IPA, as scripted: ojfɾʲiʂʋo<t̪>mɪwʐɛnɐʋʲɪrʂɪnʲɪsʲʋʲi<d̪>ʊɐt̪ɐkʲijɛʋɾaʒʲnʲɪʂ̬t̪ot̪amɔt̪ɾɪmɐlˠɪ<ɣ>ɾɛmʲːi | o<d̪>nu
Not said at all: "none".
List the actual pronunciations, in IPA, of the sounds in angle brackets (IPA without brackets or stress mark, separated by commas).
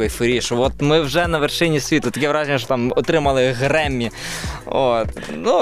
t̪, t̪, ɣ, t̪